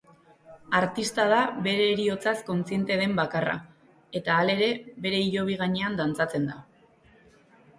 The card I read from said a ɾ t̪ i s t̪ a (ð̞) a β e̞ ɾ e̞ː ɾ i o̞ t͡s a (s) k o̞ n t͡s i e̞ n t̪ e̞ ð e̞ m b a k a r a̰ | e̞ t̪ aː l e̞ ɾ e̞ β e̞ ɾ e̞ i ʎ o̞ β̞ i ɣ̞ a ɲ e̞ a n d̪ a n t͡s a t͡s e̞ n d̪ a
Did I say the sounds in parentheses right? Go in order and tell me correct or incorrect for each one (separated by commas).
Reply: correct, correct